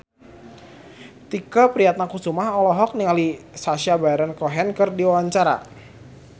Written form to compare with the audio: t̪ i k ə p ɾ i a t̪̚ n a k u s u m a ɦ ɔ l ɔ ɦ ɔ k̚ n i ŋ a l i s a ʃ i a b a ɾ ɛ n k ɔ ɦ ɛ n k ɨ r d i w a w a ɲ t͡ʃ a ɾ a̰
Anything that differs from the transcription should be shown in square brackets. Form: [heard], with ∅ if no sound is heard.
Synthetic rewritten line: t̪ i k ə p ɾ i a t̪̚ n a k u s u m a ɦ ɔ l ɔ ɦ ɔ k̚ n i ŋ a l i s a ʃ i a b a ɾ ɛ n k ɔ ɦ ɛ n k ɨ r d i w a w a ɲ t͡ʃ a ɾ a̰